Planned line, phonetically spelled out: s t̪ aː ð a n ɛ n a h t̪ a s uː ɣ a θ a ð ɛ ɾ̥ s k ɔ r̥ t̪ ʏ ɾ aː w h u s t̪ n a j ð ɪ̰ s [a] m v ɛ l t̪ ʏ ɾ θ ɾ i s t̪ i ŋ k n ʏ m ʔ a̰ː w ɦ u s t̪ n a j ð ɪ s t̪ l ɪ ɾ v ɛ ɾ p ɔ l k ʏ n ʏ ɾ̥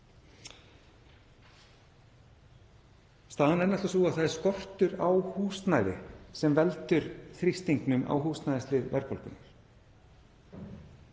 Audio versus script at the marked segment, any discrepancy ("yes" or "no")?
yes